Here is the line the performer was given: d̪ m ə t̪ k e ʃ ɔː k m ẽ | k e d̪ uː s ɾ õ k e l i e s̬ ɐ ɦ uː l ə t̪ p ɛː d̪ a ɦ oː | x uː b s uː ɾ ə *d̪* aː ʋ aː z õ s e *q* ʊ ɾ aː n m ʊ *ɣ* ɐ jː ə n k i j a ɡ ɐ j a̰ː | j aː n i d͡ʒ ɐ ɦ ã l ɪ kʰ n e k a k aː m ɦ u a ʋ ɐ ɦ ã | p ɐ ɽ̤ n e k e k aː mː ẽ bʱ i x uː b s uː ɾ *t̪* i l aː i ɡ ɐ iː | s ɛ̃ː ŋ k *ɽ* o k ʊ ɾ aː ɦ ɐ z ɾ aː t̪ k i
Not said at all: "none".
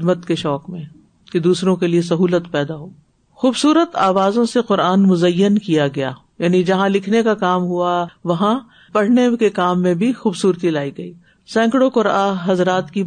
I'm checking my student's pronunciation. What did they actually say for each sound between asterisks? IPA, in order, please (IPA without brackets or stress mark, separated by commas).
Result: t̪, q, z, t̪, ɽ